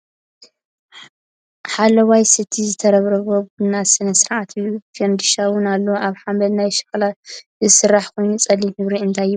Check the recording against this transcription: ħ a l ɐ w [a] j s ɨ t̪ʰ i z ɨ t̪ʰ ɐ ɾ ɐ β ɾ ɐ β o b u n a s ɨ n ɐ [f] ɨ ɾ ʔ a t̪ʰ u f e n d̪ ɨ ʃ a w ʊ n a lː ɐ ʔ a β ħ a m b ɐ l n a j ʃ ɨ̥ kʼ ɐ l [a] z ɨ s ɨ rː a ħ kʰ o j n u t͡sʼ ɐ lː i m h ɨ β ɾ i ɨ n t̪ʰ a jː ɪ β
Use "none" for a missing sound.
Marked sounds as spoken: a, s, a

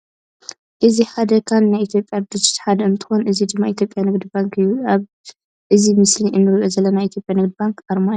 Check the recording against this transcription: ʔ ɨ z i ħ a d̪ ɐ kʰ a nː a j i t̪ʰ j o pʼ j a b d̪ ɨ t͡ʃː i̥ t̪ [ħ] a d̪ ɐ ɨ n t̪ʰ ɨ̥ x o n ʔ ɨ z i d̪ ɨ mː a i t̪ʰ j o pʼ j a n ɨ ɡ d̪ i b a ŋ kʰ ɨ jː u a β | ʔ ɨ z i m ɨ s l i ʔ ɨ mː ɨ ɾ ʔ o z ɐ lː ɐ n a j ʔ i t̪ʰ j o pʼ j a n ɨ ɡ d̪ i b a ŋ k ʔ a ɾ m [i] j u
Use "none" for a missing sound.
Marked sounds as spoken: ħ, a

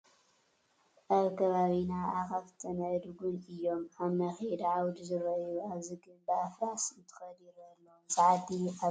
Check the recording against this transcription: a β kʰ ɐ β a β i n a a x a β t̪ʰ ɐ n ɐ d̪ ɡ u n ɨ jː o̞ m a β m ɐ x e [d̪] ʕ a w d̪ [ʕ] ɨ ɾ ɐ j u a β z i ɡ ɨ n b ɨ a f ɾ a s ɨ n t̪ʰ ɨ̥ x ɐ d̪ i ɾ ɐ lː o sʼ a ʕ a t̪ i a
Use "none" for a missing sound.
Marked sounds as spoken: d̪, z

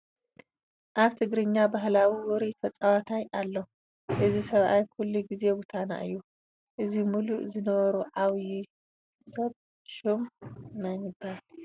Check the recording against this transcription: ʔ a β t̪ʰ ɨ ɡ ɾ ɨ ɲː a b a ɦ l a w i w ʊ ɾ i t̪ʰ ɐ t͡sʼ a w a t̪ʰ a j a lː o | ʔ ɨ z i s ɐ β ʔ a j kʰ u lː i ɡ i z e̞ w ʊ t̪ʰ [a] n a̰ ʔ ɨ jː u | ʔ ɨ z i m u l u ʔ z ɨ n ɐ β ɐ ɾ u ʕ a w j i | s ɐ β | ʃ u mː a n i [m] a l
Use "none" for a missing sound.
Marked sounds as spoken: a, b

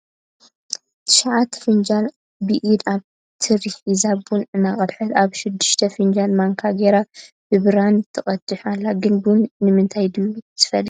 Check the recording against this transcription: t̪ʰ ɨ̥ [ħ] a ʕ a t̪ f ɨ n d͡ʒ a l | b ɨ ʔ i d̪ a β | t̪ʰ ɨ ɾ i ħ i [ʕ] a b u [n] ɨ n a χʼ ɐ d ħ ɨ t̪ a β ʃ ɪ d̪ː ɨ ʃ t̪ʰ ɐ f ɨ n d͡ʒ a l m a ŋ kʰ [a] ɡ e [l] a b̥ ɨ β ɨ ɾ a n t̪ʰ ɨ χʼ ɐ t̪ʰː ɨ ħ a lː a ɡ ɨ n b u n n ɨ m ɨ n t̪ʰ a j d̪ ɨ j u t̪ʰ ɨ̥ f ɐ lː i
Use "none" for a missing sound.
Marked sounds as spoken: ʃ, z, n, a, ɾ

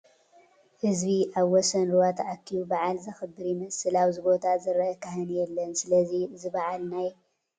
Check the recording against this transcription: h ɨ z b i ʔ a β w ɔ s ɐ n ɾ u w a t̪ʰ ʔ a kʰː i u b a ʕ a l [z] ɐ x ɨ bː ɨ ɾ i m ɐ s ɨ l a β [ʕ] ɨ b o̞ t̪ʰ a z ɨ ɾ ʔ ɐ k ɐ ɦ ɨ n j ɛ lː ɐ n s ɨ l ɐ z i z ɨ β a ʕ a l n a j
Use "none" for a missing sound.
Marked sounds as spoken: z, z

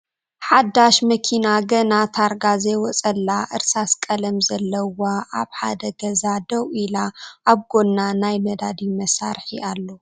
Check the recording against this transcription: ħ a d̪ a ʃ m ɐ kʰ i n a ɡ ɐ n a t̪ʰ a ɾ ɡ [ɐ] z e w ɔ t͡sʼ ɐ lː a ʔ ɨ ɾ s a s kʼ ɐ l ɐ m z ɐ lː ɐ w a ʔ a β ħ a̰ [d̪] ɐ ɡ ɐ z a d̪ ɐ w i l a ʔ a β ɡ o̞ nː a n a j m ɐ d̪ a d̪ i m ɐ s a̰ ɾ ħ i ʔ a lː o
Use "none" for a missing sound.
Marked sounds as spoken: a, d̪

